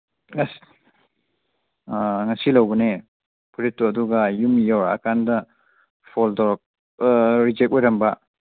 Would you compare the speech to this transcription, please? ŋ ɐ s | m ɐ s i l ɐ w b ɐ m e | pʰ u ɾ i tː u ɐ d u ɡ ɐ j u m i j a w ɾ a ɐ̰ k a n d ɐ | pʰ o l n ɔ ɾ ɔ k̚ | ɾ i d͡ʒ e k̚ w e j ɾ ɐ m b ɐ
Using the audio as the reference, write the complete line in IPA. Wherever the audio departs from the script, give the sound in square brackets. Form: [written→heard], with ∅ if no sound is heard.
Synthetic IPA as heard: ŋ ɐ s | [m→ŋ] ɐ s i l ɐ w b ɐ [m→n] e | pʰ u ɾ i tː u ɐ d u ɡ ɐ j u m i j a w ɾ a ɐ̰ k a n d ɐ | pʰ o l [n→d] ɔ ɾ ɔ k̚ | ɾ i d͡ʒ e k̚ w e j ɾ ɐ m b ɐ